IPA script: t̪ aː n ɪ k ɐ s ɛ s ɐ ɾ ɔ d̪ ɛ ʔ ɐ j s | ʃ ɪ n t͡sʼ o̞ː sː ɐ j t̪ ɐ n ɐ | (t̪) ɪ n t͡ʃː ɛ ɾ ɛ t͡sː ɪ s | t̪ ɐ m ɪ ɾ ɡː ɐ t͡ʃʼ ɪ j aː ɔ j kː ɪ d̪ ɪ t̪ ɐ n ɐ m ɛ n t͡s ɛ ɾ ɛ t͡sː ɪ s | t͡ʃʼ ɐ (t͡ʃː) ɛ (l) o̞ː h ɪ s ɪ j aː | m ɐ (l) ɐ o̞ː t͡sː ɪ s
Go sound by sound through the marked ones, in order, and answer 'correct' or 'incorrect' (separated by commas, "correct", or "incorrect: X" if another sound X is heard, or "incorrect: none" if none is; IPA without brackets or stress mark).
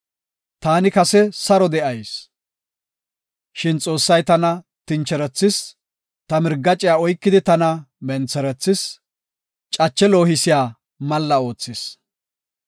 correct, correct, correct, incorrect: lː